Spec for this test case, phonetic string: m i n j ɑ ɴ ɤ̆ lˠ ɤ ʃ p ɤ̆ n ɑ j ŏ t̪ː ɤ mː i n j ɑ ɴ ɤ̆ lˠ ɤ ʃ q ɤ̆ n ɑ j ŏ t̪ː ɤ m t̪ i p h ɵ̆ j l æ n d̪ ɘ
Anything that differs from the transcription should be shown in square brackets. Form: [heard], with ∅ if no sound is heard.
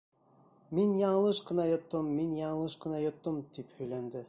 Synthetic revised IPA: m i n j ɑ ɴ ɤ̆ lˠ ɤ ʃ [q] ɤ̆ n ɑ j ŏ t̪ː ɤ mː i n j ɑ ɴ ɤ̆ lˠ ɤ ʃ q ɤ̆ n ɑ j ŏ t̪ː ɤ m t̪ i p h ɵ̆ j l æ n d̪ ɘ